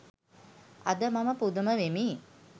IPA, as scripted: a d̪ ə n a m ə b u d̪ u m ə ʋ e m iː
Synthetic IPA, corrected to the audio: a d̪ ə m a m ə p u d̪ u m ə ʋ e m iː